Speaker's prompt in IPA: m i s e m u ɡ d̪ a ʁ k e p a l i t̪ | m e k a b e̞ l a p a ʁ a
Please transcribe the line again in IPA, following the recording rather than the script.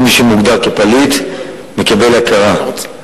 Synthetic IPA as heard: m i ʃ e m u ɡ d̪ a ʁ k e p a l i t̪ | m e k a b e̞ l a k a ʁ a